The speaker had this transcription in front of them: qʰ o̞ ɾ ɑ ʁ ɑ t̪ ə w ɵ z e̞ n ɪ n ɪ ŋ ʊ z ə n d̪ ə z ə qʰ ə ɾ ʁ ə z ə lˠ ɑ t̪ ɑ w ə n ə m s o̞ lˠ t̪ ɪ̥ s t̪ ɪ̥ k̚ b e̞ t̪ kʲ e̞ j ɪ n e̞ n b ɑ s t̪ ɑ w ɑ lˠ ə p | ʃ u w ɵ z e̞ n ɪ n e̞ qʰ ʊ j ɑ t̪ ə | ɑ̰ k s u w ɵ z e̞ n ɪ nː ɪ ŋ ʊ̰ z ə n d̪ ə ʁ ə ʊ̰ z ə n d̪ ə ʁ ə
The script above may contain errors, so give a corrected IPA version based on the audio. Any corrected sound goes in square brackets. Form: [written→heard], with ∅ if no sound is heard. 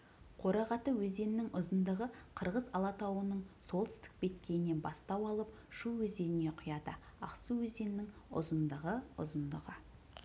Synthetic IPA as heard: qʰ o̞ ɾ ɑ ʁ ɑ t̪ ə w ɵ z e̞ n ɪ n ɪ ŋ ʊ z ə n d̪ ə [z→ʁ] ə qʰ ə ɾ ʁ ə z [ə→ɑ] lˠ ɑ t̪ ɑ w ə n ə [m→ɴ] s o̞ lˠ t̪ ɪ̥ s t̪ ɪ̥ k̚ b e̞ t̪ kʲ e̞ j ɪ n e̞ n b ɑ s t̪ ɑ w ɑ lˠ ə p | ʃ u w ɵ z e̞ n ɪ n e̞ qʰ ʊ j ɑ [t̪→d̪] ə | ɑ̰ [k→q] s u w ɵ z e̞ n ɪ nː ɪ ŋ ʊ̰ z ə n d̪ ə ʁ ə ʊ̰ z ə n d̪ ə ʁ ə